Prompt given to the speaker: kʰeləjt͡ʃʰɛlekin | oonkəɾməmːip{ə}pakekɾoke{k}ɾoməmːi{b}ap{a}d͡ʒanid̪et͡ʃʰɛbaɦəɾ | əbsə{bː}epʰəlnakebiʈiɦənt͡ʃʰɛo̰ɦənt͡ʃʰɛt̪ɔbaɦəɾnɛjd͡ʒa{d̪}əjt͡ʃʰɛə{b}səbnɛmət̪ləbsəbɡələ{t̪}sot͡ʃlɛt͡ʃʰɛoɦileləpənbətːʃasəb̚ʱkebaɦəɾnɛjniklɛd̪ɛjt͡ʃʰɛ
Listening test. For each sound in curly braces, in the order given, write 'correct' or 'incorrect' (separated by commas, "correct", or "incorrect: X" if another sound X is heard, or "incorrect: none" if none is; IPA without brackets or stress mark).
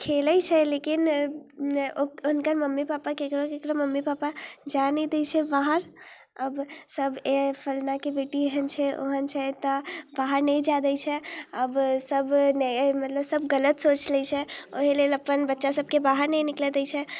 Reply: incorrect: a, correct, incorrect: p, correct, incorrect: b, correct, correct, correct